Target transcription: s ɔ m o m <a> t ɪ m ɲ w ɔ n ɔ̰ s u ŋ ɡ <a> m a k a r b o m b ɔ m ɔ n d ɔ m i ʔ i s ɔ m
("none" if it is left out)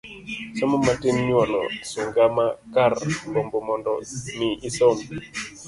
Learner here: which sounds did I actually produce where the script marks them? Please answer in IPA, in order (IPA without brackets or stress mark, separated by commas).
a, a